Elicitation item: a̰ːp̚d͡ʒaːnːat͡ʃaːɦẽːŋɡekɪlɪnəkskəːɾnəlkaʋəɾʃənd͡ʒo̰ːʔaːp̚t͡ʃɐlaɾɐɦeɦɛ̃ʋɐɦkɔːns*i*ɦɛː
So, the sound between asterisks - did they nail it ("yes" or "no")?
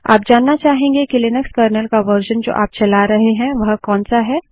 no